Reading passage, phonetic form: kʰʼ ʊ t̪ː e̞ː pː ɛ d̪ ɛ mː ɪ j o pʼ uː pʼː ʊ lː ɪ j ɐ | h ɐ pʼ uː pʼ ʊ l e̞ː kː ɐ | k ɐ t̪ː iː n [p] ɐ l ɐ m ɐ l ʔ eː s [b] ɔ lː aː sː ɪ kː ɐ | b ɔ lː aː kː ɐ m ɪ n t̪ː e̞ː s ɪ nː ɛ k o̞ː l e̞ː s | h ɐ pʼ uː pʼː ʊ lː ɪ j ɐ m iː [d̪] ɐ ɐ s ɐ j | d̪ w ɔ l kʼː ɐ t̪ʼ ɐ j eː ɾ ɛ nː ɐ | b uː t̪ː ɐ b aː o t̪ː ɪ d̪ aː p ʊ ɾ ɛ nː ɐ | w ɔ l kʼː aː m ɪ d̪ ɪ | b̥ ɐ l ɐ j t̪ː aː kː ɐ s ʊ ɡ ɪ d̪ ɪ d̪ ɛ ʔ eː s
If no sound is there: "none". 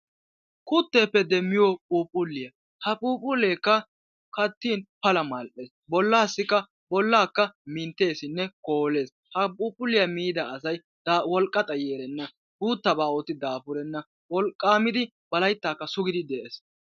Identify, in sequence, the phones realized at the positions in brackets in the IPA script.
p, b, d̪

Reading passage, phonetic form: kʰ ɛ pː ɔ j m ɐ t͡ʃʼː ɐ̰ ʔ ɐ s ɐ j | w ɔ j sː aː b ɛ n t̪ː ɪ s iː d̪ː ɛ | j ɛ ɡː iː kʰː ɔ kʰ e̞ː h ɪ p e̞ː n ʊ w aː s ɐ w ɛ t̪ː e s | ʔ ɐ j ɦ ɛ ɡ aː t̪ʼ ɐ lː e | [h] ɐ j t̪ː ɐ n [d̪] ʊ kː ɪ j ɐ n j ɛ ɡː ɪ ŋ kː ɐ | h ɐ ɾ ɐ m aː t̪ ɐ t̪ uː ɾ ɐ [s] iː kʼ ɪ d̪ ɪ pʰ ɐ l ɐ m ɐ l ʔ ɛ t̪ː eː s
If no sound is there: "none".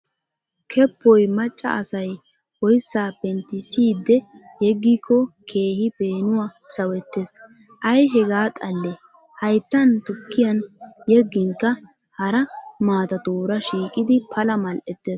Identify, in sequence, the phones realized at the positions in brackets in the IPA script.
h, t̪, ʃ

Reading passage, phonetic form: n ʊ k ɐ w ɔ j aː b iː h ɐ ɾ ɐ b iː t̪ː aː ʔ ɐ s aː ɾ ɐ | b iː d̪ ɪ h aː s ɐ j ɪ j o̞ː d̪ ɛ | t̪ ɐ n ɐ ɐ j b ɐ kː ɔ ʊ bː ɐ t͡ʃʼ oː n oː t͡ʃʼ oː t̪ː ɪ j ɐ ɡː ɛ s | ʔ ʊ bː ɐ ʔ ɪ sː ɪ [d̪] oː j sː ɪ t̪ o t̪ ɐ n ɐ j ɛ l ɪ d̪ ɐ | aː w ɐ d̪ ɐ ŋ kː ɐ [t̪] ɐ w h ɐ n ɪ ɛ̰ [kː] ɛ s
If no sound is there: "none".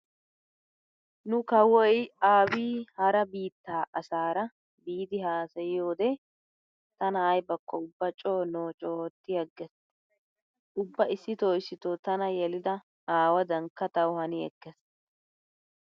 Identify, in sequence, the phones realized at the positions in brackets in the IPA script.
t̪, t̪, kː

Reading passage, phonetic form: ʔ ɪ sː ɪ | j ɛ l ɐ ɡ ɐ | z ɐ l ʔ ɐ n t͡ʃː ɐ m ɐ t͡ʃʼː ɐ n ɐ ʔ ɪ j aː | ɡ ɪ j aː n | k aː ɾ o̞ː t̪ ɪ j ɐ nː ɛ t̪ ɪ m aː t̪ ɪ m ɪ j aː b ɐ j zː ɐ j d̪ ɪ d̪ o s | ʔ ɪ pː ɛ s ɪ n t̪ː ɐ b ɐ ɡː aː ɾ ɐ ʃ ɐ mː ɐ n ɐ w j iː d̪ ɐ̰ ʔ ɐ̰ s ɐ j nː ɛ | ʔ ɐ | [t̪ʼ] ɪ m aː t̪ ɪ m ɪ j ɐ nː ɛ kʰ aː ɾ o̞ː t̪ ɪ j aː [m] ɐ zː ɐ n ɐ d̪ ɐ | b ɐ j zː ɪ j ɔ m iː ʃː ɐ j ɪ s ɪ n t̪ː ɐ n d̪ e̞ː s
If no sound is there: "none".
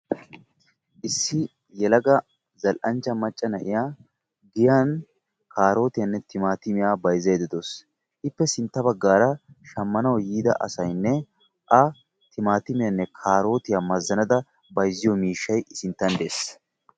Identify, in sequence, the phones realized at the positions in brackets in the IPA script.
t̪, m

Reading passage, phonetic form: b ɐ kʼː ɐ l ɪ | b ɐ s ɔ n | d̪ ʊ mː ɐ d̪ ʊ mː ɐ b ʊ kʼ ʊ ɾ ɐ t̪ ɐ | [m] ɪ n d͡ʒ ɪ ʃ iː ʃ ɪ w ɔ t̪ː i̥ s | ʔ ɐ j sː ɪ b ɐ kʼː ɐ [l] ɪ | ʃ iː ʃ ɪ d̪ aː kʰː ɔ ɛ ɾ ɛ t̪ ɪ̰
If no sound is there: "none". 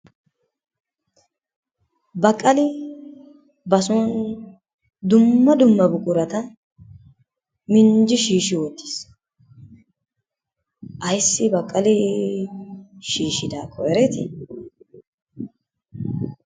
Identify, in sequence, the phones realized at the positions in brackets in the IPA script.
m, l

